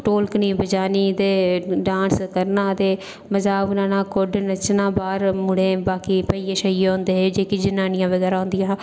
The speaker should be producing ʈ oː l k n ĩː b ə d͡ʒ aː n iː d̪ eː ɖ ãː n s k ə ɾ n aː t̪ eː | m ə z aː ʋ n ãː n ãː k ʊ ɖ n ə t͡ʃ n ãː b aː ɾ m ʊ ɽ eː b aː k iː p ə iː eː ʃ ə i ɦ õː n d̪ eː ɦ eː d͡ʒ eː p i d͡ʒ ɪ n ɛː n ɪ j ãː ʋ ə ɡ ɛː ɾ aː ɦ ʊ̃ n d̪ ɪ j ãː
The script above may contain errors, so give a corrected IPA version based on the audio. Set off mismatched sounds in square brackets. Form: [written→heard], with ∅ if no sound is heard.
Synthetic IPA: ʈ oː l k n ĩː b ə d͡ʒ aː n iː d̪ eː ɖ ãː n s k ə ɾ n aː t̪ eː | m ə z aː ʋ n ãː n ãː k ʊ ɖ n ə t͡ʃ n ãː b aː ɾ m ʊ ɽ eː b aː k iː p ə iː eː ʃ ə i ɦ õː n d̪ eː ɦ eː d͡ʒ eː [p→k] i d͡ʒ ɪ n [ɛː→aː] n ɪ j ãː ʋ ə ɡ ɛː ɾ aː ɦ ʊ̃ n d̪ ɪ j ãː